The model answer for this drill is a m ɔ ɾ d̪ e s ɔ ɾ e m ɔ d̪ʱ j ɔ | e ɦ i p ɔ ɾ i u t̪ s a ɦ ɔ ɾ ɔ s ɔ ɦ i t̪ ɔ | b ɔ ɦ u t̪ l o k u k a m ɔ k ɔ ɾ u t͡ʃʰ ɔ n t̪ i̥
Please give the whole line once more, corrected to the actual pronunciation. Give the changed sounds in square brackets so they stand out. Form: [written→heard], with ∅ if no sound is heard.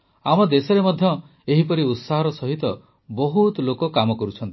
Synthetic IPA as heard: a m ɔ [ɾ→∅] d̪ e s ɔ ɾ e m ɔ d̪ʱ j ɔ | e ɦ i p ɔ ɾ i u t̪ s a ɦ ɔ ɾ ɔ s ɔ ɦ i t̪ ɔ | b ɔ ɦ u t̪ l o k [u→ɔ] k a m ɔ k ɔ ɾ u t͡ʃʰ ɔ n t̪ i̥